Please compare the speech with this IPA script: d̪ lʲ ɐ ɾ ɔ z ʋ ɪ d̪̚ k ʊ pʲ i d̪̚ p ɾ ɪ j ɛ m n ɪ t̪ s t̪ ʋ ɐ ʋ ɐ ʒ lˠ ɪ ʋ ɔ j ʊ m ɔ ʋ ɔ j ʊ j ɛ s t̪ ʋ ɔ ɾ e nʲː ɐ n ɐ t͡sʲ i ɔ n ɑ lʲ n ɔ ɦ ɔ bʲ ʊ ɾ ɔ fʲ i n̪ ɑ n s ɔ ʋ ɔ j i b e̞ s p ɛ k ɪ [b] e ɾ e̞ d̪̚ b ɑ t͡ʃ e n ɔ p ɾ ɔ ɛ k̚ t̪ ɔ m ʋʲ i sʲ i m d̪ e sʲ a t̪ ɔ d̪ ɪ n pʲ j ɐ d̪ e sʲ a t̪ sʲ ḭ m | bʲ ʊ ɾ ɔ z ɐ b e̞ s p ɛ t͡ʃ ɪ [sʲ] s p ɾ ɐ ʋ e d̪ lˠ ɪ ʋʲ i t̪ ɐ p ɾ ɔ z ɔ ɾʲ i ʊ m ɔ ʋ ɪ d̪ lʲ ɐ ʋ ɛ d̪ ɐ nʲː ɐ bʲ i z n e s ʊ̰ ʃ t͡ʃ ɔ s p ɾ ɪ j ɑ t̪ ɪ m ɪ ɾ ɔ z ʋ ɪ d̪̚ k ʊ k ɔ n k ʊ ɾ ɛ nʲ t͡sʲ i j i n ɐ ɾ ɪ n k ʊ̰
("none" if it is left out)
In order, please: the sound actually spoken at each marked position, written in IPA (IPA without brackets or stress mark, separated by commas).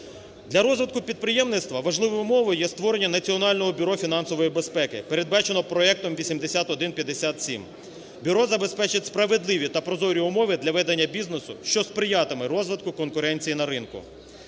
p, tʲ